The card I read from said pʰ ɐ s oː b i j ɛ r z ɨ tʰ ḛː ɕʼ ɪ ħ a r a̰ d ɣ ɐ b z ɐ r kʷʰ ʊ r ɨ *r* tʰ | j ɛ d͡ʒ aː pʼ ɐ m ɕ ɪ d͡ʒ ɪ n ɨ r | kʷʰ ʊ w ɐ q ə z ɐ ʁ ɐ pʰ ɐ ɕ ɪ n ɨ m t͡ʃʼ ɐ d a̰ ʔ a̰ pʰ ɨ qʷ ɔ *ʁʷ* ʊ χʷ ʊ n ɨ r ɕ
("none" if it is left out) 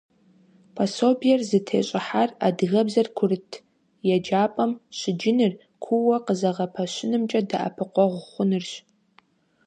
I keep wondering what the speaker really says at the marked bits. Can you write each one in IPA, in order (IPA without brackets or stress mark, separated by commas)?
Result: none, ʁʷ